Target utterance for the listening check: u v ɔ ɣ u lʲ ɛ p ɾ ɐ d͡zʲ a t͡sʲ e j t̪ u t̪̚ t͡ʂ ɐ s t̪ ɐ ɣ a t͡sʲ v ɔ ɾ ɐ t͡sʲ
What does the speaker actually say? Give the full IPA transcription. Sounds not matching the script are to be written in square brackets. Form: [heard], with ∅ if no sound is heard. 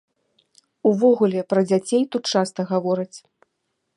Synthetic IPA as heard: u v ɔ ɣ u lʲ ɛ p ɾ ɐ d͡zʲ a t͡sʲ e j t̪ u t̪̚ t͡ʂ [a] s t̪ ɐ ɣ a [∅] v ɔ ɾ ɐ t͡sʲ